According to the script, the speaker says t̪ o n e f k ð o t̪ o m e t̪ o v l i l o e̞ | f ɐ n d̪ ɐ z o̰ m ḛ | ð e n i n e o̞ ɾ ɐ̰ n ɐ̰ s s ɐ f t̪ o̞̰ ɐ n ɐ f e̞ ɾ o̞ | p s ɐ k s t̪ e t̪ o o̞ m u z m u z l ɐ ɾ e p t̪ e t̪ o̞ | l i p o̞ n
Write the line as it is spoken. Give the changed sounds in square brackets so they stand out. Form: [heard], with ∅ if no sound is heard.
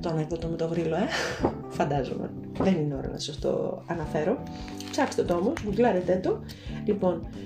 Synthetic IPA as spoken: t̪ o n e [∅] k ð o t̪ o m e t̪ o v [ɾ] i l o e̞ | f ɐ n d̪ ɐ z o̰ m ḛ | ð e n i n e o̞ ɾ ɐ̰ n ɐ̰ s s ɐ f t̪ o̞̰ ɐ n ɐ f e̞ ɾ o̞ | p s ɐ k s t̪ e t̪ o o̞ m [o] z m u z l ɐ ɾ e [∅] t̪ e t̪ o̞ | l i p o̞ n